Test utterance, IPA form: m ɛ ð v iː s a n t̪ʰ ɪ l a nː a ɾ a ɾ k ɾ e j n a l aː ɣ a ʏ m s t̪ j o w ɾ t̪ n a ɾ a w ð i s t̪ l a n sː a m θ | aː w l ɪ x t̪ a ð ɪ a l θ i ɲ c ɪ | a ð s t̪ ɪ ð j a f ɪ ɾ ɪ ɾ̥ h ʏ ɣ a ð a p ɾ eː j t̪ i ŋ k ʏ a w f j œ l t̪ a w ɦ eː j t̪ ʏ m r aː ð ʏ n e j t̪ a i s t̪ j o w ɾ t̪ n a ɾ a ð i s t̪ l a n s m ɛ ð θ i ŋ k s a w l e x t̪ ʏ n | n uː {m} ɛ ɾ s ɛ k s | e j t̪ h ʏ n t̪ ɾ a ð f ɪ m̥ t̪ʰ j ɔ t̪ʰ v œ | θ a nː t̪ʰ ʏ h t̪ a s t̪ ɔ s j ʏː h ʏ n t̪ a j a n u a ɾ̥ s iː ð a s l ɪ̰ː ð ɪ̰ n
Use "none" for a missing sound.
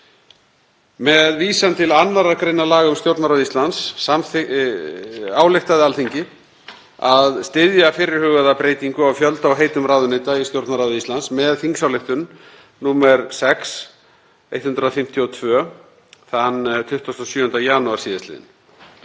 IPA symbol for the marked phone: m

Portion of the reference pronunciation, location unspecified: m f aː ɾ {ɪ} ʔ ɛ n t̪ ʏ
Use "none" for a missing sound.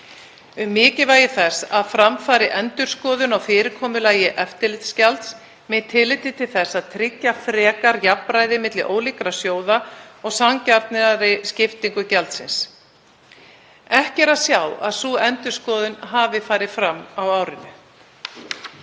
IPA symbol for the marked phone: ɪ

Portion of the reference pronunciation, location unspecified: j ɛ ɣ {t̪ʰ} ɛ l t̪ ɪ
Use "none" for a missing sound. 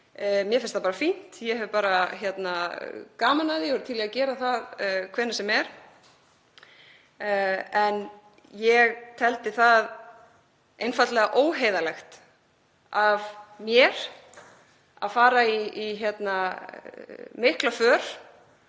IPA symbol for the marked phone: t̪ʰ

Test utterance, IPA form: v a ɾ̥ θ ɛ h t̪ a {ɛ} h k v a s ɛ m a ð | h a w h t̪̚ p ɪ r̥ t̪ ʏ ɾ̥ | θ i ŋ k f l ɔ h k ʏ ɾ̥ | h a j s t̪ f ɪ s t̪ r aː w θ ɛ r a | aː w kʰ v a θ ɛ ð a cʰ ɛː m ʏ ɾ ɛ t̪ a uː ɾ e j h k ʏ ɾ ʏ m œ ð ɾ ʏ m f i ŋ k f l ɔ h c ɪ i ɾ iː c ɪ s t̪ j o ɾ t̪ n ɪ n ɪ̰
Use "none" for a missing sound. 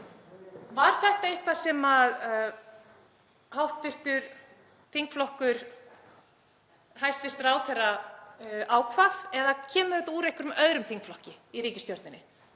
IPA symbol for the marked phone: e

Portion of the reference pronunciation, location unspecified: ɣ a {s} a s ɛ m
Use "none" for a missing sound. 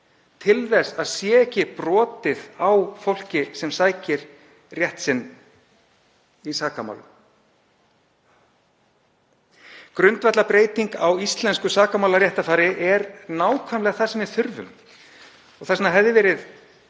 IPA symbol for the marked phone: θ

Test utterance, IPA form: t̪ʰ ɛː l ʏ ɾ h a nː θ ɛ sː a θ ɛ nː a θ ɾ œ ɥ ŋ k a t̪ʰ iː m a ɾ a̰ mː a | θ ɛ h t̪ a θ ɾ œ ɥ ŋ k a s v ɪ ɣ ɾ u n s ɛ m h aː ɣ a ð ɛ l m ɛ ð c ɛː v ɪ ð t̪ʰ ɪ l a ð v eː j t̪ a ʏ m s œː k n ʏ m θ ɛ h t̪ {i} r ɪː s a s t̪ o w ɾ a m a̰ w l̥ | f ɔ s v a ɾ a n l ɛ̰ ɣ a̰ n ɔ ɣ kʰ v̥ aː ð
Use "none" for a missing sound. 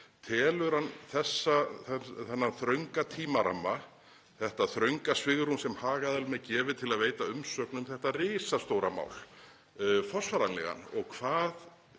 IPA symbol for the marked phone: a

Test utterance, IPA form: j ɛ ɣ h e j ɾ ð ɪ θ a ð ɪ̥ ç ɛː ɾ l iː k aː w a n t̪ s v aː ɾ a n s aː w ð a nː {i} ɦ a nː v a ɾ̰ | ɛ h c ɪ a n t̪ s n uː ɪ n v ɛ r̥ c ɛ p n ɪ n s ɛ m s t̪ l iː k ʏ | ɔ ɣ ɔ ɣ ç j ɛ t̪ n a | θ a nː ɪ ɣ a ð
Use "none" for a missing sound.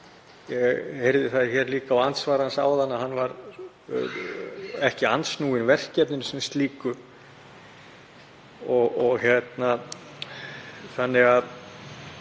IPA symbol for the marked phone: a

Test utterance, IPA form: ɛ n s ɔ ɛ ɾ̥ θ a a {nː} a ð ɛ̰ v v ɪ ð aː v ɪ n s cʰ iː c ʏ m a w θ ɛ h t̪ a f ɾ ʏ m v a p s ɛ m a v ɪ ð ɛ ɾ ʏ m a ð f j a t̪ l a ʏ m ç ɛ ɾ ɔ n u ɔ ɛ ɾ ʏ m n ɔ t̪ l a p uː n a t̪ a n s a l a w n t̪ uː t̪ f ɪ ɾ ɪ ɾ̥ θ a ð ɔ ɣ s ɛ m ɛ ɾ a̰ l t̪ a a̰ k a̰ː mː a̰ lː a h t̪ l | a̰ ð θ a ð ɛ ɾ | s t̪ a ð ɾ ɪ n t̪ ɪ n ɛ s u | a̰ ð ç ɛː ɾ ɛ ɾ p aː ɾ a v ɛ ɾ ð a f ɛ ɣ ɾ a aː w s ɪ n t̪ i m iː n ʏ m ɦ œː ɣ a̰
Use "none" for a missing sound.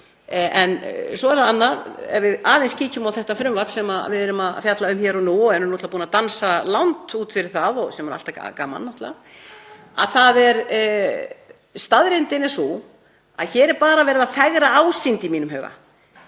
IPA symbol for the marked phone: nː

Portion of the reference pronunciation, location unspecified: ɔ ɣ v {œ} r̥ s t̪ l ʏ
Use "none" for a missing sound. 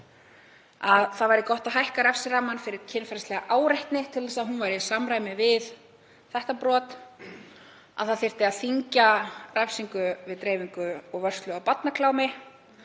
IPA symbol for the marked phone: œ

